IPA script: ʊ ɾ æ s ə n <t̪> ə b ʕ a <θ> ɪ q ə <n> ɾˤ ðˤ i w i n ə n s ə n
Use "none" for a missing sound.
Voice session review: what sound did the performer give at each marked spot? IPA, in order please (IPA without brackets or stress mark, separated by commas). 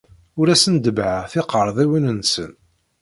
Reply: d̪, θ, none